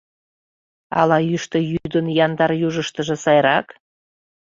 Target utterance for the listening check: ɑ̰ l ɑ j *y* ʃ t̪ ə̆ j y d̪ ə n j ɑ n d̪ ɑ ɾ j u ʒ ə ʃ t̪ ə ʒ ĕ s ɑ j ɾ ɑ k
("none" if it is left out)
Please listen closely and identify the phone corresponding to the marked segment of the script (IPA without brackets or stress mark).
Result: y